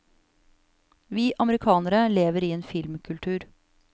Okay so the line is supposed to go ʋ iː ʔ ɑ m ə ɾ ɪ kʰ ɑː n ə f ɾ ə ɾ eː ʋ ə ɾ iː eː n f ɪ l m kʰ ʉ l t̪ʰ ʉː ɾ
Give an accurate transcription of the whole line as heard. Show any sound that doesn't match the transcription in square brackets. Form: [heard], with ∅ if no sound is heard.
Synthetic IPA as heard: ʋ iː ʔ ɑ m ə ɾ ɪ kʰ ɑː n ə [∅] ɾ ə [l] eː ʋ ə ɾ iː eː n f ɪ l m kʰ ʉ l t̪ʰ ʉː ɾ